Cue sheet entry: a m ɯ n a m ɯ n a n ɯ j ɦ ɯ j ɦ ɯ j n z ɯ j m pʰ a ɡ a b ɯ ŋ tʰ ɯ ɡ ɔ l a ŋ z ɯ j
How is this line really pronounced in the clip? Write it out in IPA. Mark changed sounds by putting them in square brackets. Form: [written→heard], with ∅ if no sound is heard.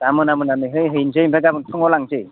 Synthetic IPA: a m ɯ n a m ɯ n a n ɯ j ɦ ɯ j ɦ ɯ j n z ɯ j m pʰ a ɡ a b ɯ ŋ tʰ ɯ [ɡ→ŋ] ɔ l a ŋ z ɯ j